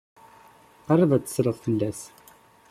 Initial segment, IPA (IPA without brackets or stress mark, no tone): q